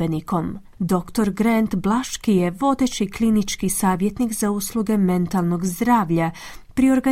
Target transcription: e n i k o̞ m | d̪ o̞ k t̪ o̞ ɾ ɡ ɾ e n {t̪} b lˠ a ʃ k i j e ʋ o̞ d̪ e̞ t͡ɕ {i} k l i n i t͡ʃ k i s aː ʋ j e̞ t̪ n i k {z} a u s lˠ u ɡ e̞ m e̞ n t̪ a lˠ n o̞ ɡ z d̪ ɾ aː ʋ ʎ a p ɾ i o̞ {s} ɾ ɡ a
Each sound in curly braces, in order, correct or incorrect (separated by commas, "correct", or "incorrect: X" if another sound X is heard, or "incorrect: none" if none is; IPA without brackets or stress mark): correct, correct, correct, incorrect: none